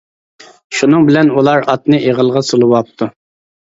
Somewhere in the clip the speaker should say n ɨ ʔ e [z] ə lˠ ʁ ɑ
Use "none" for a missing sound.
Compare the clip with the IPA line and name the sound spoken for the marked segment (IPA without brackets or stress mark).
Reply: ʁ